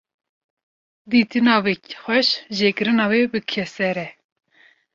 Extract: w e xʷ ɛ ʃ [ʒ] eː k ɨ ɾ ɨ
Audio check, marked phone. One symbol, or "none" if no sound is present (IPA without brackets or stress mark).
ʒ